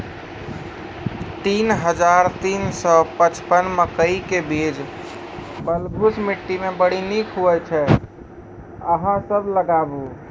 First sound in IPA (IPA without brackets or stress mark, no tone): t̪